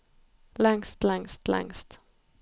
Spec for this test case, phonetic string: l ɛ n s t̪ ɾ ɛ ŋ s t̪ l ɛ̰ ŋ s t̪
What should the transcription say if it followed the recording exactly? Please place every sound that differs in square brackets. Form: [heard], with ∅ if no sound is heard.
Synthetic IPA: l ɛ [ŋ] s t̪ [l] ɛ ŋ s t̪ l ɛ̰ ŋ s t̪